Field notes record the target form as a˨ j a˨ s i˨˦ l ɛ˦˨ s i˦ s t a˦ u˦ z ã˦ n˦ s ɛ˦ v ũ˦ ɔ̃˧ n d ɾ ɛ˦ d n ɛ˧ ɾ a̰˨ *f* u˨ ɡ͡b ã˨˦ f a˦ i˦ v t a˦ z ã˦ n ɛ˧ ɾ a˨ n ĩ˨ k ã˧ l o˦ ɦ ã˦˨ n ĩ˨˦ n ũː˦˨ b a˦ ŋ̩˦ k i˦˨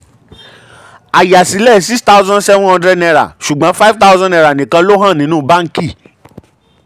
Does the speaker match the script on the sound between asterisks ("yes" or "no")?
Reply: no